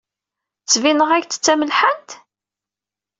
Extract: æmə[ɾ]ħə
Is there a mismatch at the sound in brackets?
yes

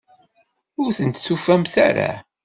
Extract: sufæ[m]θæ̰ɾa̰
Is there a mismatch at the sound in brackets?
no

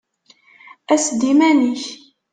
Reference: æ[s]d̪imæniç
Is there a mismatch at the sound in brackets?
no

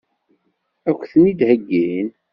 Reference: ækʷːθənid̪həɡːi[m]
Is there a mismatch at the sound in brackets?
yes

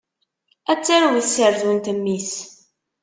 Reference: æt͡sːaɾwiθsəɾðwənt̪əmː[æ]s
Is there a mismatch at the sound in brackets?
yes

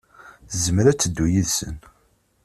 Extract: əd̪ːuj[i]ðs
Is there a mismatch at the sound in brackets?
no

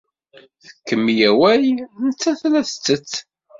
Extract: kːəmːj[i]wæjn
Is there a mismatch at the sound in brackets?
yes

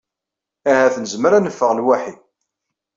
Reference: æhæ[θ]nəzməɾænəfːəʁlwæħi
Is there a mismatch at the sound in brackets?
no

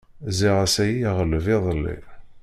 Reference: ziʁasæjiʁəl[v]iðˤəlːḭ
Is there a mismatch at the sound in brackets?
no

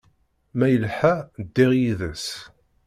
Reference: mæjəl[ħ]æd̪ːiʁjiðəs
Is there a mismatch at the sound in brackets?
no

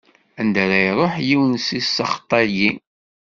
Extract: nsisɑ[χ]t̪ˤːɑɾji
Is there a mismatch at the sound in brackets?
no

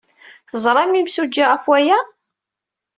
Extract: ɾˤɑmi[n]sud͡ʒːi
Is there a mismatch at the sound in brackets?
yes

